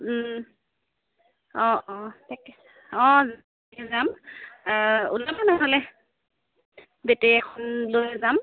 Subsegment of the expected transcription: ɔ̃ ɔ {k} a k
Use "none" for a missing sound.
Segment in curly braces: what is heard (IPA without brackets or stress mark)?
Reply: t